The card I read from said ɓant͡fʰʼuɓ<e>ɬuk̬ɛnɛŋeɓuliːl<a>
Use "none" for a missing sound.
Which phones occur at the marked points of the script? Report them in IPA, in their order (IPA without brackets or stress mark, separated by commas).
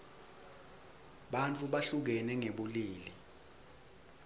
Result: a, i